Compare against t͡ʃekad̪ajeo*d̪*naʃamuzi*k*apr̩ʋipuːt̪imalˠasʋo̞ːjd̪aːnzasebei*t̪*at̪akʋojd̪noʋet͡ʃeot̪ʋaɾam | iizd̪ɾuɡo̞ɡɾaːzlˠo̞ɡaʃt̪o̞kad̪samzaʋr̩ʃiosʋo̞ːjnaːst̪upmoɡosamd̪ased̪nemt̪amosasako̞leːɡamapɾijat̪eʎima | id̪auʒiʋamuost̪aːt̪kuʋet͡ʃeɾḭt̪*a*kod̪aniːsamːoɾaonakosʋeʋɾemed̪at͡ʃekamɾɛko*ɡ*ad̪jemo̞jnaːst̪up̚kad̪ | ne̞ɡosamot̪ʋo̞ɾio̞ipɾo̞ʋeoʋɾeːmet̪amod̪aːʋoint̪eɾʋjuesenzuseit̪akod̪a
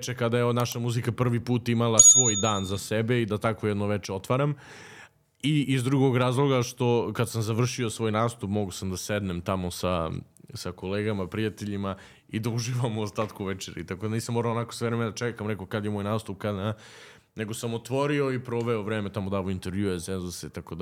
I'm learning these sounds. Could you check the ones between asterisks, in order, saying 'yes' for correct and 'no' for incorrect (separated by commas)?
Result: yes, yes, no, yes, no